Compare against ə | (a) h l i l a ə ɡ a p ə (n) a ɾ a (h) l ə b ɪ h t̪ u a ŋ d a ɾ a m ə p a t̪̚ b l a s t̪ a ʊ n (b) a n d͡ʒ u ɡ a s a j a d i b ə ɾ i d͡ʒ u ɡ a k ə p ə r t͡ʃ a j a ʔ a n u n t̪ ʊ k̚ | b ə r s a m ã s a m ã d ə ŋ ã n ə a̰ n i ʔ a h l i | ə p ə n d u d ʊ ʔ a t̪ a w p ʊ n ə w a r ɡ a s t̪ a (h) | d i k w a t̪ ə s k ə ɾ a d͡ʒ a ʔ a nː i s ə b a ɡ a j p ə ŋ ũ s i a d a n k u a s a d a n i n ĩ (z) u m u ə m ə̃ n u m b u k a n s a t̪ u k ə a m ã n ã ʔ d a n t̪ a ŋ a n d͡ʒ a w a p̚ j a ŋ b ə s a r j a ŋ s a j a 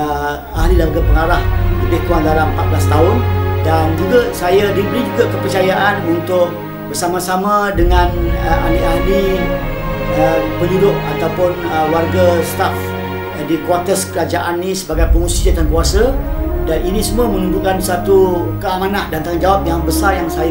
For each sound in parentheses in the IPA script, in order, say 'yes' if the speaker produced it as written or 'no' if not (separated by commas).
yes, no, yes, no, no, no